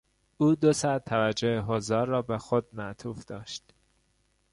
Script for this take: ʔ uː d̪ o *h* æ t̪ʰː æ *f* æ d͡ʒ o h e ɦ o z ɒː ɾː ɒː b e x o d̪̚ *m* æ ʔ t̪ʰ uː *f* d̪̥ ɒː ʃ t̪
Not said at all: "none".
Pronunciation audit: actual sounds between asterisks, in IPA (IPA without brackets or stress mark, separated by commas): s, v, m, f